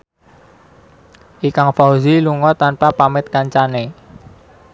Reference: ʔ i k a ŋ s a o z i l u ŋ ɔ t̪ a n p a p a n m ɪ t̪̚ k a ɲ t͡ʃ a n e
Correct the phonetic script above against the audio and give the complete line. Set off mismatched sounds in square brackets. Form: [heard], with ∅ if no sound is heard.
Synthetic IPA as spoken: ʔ i k a ŋ [f] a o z i l u ŋ ɔ t̪ a n p a p a [∅] m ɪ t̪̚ k a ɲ t͡ʃ a n e